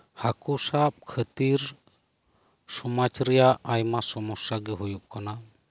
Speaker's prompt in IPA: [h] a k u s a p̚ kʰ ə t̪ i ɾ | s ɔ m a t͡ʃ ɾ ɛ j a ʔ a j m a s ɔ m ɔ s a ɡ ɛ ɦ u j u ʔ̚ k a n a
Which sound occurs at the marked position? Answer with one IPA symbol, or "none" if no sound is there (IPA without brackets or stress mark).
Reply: h